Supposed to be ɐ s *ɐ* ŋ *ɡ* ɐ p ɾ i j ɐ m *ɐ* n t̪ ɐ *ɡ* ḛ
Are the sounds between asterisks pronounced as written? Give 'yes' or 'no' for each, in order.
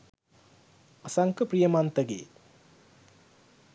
no, no, no, yes

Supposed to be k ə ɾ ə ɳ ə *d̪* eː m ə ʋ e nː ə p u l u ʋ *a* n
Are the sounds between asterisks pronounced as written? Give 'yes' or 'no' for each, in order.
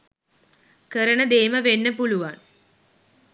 yes, yes

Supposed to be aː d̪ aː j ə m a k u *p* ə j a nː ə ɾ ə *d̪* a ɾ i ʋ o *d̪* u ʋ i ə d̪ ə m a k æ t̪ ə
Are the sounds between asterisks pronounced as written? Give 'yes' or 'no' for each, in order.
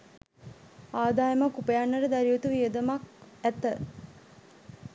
yes, yes, no

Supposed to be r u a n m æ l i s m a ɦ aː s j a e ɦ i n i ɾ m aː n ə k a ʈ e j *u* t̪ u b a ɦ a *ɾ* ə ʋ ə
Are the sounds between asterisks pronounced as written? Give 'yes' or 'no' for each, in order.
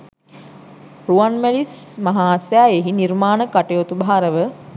no, yes

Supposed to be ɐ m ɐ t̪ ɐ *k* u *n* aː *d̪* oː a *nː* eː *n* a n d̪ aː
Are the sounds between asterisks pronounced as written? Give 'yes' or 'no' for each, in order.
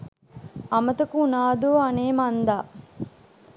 yes, yes, yes, no, no

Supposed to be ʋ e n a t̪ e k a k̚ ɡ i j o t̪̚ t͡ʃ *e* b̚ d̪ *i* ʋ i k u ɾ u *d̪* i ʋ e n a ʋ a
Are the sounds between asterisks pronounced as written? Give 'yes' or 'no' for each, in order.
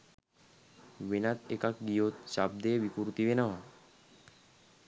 no, no, no

